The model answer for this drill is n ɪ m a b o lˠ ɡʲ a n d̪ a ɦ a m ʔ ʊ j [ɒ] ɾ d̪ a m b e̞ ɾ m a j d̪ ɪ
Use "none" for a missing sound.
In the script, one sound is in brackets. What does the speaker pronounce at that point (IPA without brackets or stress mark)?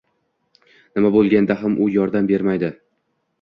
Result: ɒ